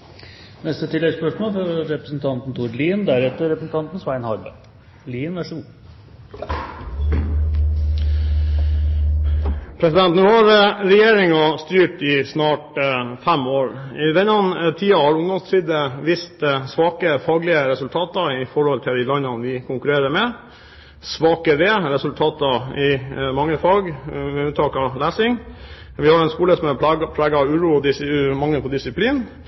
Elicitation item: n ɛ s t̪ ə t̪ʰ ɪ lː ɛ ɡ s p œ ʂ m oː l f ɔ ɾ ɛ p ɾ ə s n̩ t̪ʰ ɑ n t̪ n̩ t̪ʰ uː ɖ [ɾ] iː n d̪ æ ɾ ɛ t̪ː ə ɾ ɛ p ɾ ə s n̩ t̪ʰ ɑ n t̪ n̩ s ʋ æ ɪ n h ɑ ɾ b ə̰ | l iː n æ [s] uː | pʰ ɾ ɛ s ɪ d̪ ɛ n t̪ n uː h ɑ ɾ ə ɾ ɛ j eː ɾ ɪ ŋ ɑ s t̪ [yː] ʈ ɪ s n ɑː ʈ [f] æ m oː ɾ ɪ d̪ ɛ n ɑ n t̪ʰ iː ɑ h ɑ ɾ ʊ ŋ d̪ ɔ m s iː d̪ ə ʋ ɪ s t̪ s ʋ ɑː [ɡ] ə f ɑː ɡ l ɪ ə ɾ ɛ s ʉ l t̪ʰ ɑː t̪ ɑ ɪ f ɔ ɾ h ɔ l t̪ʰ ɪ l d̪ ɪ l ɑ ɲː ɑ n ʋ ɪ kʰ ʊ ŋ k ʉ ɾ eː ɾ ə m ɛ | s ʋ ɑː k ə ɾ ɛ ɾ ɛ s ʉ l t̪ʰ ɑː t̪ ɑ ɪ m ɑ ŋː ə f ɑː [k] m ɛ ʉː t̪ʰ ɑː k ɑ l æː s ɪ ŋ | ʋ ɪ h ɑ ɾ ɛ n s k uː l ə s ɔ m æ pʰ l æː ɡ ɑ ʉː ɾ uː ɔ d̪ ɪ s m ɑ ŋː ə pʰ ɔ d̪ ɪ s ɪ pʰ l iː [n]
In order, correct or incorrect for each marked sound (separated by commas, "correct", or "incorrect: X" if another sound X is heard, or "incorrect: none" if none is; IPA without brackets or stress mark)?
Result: incorrect: l, incorrect: ʂ, correct, correct, incorrect: k, incorrect: ɡ, correct